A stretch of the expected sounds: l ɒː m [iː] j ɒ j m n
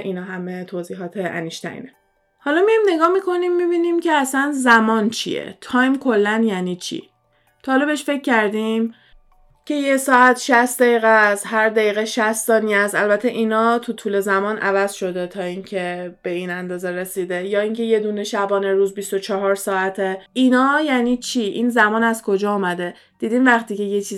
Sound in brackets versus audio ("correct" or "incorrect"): incorrect